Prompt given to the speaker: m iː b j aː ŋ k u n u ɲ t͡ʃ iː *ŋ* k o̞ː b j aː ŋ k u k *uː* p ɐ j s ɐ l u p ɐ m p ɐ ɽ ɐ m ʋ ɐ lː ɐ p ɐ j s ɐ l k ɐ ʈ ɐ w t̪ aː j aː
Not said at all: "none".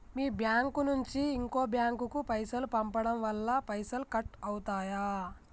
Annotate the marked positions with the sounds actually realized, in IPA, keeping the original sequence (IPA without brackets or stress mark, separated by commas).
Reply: ŋ, u